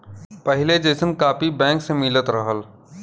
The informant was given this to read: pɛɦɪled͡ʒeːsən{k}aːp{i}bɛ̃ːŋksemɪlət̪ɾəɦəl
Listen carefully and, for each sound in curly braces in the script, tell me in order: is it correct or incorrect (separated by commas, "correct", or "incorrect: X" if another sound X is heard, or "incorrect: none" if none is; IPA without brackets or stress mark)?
correct, correct